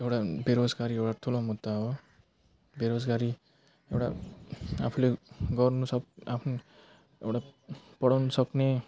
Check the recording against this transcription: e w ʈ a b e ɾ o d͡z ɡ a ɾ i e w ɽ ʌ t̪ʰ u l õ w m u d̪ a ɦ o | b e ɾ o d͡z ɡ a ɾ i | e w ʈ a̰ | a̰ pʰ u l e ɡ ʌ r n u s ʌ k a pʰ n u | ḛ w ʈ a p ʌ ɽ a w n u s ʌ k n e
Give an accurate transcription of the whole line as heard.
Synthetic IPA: e w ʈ a b e ɾ o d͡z ɡ a ɾ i e w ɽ a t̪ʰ u l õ m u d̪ a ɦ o | b e ɾ o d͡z ɡ a ɾ i | e w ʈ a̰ | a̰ pʰ u l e ɡ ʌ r n u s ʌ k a pʰ n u | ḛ w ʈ a p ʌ ɽ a w n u s ʌ k n e